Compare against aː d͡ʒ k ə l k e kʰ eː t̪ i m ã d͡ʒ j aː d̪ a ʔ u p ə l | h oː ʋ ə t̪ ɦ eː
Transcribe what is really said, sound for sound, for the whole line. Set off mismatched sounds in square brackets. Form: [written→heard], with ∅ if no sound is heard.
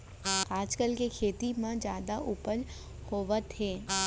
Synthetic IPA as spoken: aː d͡ʒ k ə l k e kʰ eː t̪ i m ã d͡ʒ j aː d̪ a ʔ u p ə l | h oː ʋ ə t̪ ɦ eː